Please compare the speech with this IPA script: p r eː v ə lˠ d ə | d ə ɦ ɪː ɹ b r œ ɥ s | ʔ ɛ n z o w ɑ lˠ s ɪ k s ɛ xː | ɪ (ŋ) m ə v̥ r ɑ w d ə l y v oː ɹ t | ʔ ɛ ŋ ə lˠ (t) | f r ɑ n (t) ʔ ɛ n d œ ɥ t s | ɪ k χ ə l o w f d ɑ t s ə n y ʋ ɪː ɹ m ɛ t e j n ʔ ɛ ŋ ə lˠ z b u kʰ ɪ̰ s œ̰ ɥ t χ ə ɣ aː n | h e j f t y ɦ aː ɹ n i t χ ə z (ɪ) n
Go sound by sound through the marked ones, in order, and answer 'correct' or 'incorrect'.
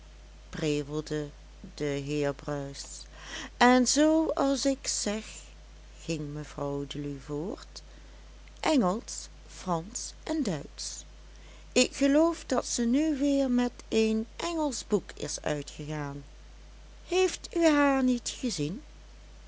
correct, incorrect, incorrect, incorrect

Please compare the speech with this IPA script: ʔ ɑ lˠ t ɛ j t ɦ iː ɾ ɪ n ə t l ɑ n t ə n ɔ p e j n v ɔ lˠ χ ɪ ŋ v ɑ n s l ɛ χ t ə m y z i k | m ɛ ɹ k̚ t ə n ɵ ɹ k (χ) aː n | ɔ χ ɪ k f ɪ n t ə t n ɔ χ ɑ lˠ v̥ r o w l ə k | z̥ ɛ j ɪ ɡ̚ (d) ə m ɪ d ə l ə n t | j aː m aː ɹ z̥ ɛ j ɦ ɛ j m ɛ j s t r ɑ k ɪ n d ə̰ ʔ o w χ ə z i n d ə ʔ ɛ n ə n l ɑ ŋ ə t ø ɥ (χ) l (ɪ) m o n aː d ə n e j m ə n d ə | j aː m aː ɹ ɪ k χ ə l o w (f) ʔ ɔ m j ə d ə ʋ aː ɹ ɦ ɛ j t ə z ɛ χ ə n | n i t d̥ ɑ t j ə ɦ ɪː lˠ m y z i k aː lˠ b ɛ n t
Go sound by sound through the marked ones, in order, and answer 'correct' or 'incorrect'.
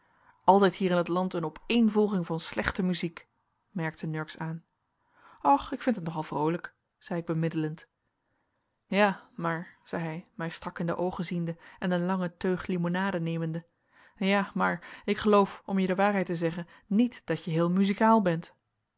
incorrect, incorrect, correct, incorrect, correct

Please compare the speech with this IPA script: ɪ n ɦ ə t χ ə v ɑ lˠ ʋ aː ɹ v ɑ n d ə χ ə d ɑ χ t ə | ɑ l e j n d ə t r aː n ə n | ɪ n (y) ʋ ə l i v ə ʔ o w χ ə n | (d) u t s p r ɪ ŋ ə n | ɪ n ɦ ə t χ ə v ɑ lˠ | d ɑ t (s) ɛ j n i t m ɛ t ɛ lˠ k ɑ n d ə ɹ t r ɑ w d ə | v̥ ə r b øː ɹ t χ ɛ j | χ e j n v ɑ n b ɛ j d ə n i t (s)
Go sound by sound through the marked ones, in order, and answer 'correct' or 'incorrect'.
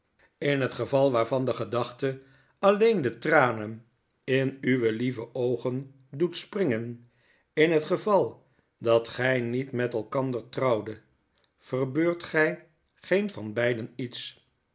correct, correct, incorrect, correct

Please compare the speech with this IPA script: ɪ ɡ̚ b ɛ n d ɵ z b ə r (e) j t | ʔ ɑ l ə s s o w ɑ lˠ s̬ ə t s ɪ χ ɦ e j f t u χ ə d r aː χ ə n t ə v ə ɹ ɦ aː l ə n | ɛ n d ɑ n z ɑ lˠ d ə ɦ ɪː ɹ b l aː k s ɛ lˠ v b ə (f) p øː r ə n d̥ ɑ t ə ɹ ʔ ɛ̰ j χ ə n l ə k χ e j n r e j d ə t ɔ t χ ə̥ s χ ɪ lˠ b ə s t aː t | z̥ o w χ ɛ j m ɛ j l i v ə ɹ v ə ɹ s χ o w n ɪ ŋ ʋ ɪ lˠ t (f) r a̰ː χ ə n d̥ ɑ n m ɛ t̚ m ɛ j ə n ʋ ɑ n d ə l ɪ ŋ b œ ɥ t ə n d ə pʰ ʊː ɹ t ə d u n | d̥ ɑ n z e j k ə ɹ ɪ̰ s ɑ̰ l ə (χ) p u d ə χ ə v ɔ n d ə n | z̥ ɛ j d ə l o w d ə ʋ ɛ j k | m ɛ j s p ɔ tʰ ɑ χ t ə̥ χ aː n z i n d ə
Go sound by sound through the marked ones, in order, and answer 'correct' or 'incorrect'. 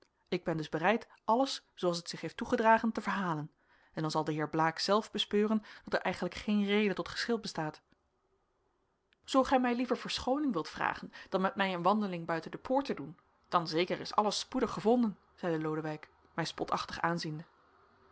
incorrect, incorrect, correct, incorrect

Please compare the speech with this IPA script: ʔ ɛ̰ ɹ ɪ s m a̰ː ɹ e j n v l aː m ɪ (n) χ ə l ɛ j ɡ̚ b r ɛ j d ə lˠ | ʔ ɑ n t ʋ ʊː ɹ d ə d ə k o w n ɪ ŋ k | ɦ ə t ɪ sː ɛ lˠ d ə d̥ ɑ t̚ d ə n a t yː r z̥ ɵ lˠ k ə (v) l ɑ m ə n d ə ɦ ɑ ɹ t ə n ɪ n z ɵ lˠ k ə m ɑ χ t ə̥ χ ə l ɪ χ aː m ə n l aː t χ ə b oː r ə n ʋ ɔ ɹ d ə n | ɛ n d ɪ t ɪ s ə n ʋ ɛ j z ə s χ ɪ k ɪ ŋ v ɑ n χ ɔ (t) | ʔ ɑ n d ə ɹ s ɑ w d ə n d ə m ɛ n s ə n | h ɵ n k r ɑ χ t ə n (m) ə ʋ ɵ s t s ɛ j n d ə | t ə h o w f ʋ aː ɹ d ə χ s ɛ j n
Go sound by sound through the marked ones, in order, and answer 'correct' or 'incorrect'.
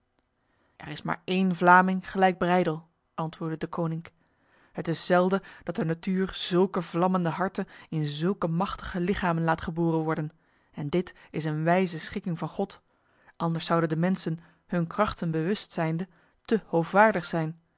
incorrect, correct, correct, incorrect

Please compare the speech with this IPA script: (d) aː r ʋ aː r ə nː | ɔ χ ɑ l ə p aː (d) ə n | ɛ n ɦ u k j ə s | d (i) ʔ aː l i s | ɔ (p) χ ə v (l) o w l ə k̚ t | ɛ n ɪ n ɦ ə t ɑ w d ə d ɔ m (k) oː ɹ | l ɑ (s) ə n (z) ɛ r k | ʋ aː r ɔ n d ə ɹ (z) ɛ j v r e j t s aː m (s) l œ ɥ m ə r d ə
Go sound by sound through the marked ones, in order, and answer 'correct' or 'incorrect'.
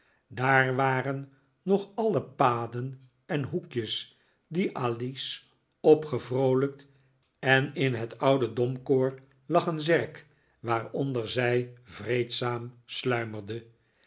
correct, correct, correct, correct, incorrect, correct, incorrect, correct, correct, correct

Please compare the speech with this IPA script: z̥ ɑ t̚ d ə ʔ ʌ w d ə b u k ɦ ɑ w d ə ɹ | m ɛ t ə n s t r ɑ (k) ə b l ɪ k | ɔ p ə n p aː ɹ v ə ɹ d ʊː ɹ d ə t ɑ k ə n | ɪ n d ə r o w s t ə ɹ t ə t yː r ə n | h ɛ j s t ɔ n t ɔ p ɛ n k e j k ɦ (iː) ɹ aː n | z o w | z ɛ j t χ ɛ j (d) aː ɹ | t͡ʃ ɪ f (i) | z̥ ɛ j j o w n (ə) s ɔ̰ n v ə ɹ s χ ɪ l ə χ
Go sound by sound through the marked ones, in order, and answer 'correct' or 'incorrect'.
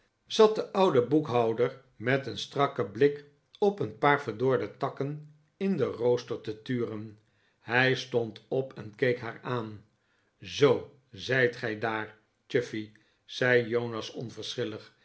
correct, incorrect, correct, correct, incorrect

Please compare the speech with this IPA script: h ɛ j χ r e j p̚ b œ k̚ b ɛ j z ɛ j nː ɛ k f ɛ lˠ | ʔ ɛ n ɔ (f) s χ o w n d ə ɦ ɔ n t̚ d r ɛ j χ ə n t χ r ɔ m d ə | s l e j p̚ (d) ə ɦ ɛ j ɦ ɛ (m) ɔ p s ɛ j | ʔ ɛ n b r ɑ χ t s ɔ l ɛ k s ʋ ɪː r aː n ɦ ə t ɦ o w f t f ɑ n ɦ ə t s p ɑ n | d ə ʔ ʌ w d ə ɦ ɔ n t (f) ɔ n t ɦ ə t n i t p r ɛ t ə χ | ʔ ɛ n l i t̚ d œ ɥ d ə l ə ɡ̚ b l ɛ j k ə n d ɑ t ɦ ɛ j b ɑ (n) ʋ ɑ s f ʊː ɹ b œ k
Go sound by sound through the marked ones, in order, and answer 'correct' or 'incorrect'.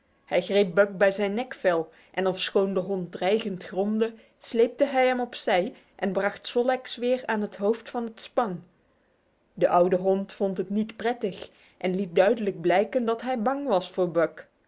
correct, incorrect, correct, correct, incorrect

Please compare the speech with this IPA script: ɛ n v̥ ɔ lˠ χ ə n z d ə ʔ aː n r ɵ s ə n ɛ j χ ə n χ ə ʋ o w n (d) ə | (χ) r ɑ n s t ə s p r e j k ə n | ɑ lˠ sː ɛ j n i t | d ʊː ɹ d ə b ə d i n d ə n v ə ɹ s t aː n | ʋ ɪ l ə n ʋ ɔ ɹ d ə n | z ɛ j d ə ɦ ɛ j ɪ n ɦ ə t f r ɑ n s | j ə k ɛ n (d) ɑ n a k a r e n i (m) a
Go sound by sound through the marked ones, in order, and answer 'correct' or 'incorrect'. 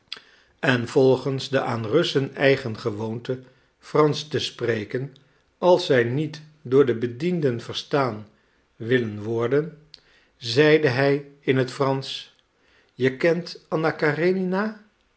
incorrect, incorrect, incorrect, incorrect

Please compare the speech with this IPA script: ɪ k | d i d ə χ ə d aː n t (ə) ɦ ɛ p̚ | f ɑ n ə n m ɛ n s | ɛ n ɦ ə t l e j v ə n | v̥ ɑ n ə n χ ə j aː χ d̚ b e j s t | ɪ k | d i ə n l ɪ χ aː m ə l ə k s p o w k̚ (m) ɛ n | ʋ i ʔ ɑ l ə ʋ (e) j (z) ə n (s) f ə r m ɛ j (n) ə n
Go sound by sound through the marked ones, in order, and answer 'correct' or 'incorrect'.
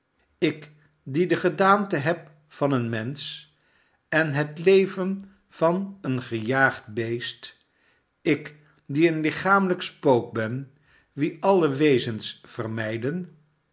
correct, incorrect, correct, correct, correct, incorrect

